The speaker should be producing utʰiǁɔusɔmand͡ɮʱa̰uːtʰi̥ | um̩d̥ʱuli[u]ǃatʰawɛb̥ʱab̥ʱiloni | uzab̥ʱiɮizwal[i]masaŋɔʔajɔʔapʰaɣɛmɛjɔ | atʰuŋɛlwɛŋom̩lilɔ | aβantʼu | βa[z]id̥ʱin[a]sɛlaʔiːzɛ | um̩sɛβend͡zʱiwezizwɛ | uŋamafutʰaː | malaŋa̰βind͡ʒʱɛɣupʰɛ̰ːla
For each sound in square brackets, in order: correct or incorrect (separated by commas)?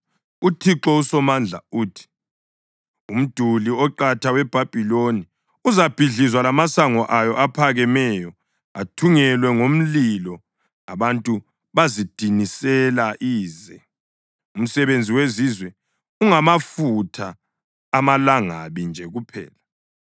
incorrect, incorrect, correct, incorrect